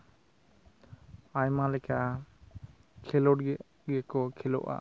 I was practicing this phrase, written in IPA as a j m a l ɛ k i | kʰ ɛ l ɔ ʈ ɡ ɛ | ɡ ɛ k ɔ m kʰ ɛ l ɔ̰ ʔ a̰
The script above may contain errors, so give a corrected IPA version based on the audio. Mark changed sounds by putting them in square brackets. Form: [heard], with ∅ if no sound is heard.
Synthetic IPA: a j m a l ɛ k [a] | kʰ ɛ l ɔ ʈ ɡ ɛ | ɡ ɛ k ɔ [∅] kʰ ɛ l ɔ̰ ʔ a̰